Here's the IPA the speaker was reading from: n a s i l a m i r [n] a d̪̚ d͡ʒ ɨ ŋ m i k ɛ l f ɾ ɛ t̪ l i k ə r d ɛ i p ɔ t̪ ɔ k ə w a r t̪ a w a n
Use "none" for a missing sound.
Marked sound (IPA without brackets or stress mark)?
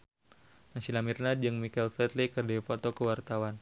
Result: n